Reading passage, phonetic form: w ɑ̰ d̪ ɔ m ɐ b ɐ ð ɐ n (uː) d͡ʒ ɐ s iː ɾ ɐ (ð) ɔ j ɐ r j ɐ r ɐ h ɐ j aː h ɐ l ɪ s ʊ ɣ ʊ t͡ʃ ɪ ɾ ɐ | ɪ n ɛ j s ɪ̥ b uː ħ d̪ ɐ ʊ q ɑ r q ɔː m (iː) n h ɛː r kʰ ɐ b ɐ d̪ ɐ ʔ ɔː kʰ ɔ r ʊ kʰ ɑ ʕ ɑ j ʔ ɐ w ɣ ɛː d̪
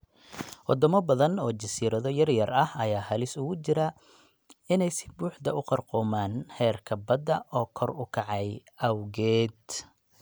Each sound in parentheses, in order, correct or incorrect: incorrect: ɔː, correct, incorrect: aː

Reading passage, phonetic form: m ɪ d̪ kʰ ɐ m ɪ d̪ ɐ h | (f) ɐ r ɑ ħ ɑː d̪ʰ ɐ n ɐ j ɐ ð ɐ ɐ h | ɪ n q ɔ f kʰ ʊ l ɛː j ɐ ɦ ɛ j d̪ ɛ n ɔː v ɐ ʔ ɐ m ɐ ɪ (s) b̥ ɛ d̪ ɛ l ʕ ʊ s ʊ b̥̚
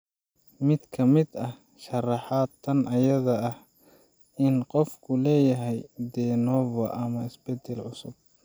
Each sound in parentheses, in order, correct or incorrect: incorrect: ʃ, correct

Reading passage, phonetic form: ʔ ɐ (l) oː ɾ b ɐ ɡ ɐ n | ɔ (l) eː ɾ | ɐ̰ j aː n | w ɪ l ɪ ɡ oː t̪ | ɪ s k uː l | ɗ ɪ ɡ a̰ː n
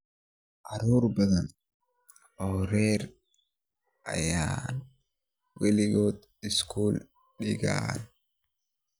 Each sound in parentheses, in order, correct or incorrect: incorrect: ɾ, incorrect: ɾ

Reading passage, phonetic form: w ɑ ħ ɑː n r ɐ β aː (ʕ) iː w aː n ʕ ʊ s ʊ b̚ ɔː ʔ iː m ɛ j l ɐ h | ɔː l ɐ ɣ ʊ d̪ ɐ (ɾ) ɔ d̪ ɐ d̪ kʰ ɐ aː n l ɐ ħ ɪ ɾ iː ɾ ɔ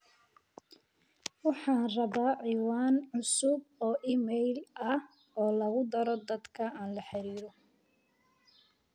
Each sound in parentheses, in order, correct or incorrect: correct, correct

